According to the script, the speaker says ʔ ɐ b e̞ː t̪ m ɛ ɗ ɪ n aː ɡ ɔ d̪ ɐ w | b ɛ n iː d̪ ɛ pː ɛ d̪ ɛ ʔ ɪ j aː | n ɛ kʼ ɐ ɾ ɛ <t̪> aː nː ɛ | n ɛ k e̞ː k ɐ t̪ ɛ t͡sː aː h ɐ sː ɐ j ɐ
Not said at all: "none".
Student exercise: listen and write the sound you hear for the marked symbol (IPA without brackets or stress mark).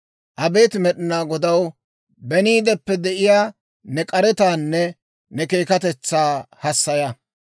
t̪